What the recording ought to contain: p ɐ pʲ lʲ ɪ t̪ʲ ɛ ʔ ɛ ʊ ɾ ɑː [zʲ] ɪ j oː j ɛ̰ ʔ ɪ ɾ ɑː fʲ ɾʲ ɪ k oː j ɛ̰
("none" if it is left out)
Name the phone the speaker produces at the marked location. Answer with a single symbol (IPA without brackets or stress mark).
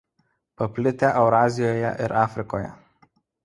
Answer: zʲ